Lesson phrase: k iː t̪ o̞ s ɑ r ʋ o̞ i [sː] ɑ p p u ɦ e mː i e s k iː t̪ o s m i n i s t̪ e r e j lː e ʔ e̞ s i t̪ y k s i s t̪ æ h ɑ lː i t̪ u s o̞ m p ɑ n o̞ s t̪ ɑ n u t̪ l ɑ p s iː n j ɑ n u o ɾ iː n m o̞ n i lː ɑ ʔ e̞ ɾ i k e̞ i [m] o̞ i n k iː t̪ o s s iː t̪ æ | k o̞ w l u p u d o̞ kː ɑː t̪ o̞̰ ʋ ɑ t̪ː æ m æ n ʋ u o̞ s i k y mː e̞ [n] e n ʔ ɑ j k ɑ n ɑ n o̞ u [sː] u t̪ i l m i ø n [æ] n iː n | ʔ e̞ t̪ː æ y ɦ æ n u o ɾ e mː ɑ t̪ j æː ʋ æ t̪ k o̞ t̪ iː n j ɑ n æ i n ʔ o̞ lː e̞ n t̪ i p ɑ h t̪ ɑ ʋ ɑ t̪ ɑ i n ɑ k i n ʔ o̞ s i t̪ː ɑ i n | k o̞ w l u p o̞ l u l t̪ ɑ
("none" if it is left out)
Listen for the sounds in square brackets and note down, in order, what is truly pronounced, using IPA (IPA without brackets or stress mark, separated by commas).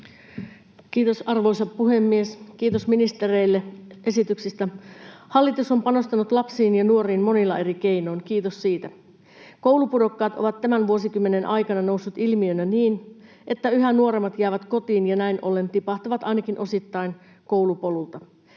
s, n, n, sː, æ